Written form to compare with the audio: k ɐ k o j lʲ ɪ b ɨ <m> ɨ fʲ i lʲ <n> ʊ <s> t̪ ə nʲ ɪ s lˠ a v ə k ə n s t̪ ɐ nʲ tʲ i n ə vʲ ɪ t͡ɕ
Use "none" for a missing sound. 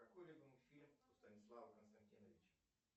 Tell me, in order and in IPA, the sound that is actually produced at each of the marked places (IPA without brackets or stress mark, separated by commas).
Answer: m, m, s